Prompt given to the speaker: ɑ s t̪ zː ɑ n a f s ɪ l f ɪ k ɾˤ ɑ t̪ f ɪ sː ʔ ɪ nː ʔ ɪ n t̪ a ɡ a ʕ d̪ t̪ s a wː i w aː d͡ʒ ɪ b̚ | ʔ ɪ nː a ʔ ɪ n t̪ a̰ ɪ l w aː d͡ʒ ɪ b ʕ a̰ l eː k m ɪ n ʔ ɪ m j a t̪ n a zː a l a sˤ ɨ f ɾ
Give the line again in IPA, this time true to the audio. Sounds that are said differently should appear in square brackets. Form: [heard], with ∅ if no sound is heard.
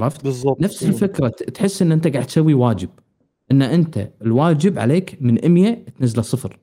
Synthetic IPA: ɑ [f] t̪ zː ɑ n a f s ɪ l f ɪ k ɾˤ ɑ t̪ [ħ] ɪ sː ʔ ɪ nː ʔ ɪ n t̪ a ɡ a ʕ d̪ t̪ s a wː i w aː d͡ʒ ɪ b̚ | ʔ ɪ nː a ʔ ɪ n t̪ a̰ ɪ l w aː d͡ʒ ɪ b ʕ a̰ l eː k m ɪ n ʔ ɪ m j a t̪ n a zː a l a sˤ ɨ f ɾ